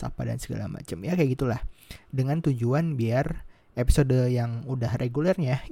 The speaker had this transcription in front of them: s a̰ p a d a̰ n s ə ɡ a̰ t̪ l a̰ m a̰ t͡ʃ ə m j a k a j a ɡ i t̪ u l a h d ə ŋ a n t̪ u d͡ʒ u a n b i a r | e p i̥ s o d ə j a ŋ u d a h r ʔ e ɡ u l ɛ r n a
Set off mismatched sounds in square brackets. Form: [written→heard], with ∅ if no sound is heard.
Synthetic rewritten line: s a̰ p a d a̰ n s ə ɡ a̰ [t̪→∅] l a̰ m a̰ t͡ʃ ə m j a k a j a ɡ i t̪ u l a h d ə ŋ a n t̪ u d͡ʒ u a n b i a r | e p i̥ s o d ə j a ŋ u d a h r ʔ e ɡ u l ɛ r [n→ɲ] a